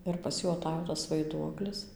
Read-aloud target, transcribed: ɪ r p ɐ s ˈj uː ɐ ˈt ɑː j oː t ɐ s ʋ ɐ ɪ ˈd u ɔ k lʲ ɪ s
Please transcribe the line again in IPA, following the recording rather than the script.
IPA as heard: ɪ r p ɐ s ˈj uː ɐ ˈt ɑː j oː t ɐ s ʋ ɐ ɪ ˈd u ɔ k lʲ ɪ s